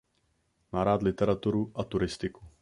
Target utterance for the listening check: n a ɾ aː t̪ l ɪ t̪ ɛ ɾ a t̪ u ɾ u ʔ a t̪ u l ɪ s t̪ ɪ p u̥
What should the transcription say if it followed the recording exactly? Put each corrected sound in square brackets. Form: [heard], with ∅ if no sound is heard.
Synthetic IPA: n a ɾ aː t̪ l ɪ t̪ ɛ ɾ a t̪ u ɾ u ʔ a t̪ u [ɾ] ɪ s t̪ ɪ [k] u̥